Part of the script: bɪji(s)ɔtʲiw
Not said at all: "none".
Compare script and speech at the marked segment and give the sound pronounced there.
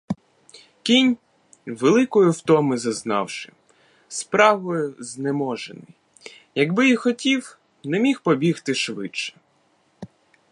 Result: x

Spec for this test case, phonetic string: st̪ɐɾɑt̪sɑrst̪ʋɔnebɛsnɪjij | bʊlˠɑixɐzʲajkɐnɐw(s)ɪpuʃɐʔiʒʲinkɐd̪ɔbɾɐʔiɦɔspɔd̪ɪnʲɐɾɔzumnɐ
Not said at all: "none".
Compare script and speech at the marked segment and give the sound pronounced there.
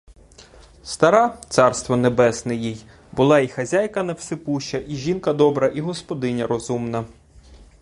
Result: s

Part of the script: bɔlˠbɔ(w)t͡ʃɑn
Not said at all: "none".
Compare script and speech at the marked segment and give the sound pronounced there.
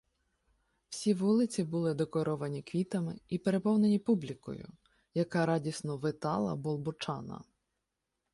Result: none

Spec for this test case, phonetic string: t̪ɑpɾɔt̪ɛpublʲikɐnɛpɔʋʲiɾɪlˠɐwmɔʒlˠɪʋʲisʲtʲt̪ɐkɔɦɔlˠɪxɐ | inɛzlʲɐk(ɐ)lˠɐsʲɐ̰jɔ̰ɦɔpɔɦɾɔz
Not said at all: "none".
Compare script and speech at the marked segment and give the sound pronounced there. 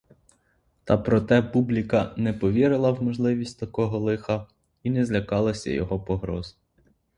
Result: ɑ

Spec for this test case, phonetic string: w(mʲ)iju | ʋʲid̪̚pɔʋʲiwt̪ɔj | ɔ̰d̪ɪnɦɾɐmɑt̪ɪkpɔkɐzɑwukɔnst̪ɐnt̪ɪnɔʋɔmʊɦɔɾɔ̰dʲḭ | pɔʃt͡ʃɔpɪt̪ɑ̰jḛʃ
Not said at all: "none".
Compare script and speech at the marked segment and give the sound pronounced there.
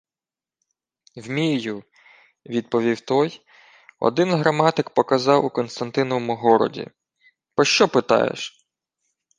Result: mʲ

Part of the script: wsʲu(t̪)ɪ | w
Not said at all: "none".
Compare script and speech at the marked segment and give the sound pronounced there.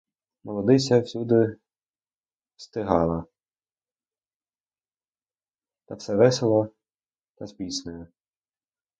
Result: d̪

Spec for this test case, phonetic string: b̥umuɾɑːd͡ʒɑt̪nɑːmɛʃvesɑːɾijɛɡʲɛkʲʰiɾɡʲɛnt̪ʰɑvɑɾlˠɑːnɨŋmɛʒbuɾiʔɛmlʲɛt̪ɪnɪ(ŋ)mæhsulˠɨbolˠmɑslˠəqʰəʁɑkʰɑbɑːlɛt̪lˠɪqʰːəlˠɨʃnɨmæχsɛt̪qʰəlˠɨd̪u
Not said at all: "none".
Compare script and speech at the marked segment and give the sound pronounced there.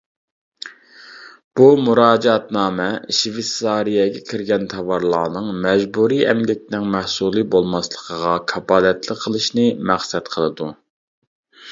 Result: ŋ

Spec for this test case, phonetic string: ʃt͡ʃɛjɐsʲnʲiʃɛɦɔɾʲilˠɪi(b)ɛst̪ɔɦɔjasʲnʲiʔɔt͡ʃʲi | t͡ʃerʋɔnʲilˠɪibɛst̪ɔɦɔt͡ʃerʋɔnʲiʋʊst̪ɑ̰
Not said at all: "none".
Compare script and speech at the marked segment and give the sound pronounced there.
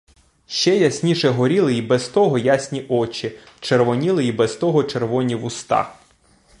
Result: b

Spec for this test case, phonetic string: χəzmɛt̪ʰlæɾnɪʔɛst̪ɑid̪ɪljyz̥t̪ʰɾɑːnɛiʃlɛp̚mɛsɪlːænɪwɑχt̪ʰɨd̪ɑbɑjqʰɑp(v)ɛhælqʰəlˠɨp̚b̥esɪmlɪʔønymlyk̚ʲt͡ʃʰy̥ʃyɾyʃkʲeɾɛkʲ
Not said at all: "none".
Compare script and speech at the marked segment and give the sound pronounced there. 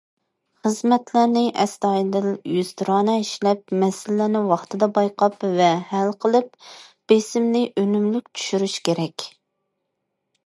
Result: v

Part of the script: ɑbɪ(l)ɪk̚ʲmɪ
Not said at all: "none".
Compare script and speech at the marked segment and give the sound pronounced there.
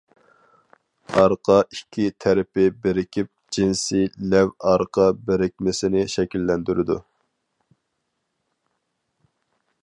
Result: ɾ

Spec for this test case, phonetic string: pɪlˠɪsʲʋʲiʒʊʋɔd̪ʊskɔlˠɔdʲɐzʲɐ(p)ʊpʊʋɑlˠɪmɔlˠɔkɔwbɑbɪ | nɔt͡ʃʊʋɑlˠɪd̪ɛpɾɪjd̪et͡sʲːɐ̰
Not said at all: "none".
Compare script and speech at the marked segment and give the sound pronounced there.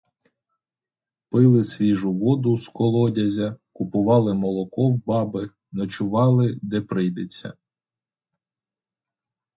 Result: k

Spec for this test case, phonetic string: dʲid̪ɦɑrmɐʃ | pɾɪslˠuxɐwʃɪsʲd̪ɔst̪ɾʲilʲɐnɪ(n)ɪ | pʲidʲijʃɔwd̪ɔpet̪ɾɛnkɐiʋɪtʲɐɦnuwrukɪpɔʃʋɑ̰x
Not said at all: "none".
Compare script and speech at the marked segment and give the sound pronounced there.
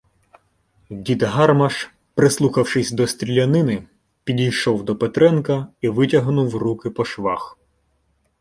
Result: n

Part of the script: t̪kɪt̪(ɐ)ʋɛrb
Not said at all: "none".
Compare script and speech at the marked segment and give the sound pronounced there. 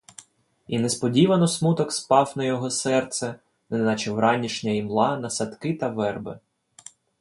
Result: ɐ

